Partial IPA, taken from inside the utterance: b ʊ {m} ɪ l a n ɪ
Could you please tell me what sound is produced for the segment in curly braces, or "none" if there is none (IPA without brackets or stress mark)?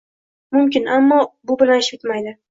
b